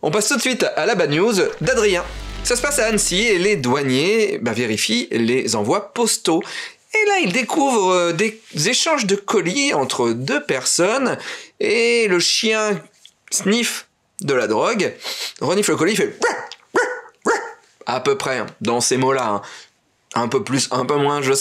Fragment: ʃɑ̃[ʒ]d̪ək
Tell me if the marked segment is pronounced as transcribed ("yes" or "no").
yes